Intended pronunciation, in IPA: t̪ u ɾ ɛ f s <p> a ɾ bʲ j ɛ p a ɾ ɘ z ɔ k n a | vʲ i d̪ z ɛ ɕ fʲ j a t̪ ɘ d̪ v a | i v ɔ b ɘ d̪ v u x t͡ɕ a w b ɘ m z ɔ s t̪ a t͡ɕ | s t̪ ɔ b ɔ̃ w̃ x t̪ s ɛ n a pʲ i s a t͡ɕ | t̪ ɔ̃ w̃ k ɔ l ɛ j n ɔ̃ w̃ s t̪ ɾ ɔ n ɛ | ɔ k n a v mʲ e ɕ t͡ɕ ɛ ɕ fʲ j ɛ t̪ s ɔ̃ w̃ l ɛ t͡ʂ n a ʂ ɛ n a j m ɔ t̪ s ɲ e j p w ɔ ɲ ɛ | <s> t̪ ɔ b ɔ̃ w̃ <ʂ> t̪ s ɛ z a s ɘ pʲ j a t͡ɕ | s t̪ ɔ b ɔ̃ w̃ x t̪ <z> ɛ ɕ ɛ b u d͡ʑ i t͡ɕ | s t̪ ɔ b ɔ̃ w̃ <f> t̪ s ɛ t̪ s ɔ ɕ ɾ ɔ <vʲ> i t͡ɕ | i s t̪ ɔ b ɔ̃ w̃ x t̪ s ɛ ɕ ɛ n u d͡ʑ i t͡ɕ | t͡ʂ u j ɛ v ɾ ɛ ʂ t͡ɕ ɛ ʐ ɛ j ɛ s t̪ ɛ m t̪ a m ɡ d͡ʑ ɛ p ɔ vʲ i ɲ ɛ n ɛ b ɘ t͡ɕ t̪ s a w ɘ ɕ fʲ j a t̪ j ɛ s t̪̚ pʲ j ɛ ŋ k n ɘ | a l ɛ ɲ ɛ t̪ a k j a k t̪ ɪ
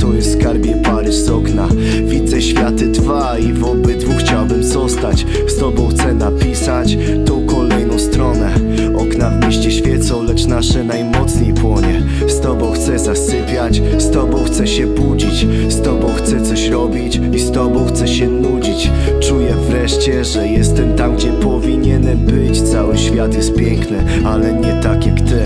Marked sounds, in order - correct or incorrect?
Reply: incorrect: k, correct, incorrect: x, incorrect: s, incorrect: x, incorrect: bʲ

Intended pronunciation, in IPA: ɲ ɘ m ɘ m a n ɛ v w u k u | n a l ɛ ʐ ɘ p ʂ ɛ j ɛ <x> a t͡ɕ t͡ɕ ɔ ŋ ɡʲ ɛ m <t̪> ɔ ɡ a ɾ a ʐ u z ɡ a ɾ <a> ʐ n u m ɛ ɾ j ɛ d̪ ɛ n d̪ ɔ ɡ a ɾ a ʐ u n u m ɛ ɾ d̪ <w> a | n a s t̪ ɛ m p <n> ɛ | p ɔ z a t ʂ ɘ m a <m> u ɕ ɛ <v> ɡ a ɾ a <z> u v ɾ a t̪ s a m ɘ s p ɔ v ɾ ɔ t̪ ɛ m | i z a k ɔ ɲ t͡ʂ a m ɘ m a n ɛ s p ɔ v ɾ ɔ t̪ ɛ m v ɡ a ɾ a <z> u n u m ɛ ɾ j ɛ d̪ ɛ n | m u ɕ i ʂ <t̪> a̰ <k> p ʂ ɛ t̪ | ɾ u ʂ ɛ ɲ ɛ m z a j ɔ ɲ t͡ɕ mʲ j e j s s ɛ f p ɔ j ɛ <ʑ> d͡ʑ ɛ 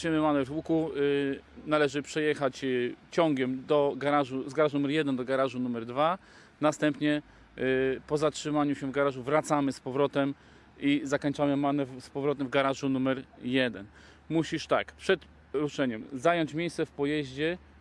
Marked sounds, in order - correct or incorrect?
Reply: correct, incorrect: d̪, correct, incorrect: v, incorrect: ɲ, incorrect: ɲ, correct, incorrect: ʐ, incorrect: ʐ, correct, correct, correct

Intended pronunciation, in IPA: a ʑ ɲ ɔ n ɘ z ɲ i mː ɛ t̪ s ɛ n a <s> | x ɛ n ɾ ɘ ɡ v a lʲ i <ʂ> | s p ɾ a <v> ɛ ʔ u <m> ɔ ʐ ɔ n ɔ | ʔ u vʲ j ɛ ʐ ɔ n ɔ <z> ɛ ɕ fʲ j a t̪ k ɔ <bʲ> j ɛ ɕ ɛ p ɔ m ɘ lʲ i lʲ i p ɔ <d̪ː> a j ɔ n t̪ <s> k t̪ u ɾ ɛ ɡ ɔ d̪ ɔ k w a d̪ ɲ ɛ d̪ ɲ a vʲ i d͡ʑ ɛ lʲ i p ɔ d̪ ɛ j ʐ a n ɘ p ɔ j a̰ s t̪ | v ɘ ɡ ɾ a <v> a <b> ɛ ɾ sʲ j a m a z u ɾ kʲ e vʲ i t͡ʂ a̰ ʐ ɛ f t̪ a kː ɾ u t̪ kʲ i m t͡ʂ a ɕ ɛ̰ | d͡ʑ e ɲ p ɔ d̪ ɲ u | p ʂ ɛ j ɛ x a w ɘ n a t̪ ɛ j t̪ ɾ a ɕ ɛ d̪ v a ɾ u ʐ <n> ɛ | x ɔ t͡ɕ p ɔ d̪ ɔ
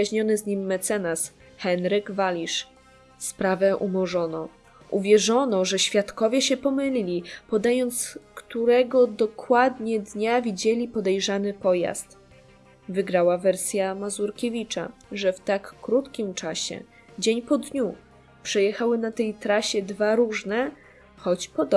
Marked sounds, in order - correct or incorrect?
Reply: correct, correct, correct, correct, incorrect: ʐ, incorrect: vʲ, incorrect: d̪, correct, incorrect: w, incorrect: v, correct

